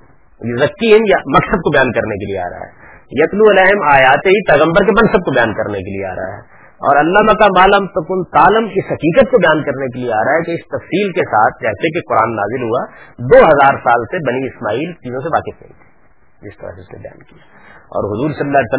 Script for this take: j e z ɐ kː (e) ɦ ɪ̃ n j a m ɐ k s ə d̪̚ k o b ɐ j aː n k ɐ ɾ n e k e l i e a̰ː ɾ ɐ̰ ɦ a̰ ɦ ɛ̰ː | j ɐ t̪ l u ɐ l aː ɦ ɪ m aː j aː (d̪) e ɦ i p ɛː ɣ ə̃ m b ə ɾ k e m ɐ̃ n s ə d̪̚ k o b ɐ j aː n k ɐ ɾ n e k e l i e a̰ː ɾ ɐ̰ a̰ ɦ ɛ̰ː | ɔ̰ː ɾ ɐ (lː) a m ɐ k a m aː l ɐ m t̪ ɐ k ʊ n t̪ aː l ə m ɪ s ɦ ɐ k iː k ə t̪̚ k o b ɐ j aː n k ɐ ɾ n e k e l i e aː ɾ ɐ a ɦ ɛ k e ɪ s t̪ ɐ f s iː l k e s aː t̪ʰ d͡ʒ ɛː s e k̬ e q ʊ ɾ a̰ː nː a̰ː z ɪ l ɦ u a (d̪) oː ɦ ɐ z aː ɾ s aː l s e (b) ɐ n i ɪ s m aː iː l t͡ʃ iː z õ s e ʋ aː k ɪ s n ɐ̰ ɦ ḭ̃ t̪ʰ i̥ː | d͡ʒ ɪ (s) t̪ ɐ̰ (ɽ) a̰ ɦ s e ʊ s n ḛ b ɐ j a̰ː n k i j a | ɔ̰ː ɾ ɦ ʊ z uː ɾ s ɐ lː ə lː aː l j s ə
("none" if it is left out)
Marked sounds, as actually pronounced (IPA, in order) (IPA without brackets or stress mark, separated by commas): i, t̪, lː, d̪, b, s, ɾ